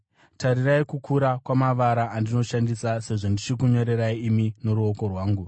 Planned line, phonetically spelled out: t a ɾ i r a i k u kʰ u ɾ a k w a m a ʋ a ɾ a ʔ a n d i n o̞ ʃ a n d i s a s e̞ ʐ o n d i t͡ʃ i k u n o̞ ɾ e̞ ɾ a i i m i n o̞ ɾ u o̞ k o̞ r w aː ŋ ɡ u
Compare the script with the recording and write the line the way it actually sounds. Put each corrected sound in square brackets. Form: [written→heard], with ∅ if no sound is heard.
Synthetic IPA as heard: t a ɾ i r a i k u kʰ u ɾ a k w a m a ʋ a ɾ a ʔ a n d i n o̞ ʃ a n d i s a s e̞ ʐ o n d i t͡ʃ i k u [n→ɲ] o̞ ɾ e̞ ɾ a i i m i n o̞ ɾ u o̞ k o̞ r w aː ŋ ɡ u